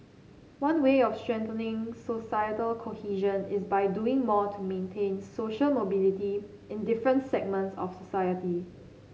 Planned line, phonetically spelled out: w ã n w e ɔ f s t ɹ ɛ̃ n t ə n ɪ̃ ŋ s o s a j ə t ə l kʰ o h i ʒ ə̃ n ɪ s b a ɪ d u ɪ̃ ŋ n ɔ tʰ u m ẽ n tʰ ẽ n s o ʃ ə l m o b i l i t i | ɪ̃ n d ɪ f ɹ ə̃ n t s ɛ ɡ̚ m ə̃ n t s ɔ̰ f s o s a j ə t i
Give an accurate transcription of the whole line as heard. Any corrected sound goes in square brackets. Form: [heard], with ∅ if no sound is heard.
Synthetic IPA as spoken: w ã n w e ɔ f s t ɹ ɛ̃ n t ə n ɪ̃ ŋ s o s a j ə t ə l kʰ o h i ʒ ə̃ n ɪ s b a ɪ d u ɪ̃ ŋ [m] ɔ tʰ u m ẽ n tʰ ẽ n s o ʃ ə l m o b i l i t i | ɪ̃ n d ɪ f ɹ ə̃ n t s ɛ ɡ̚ m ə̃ n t s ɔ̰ f s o s a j ə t i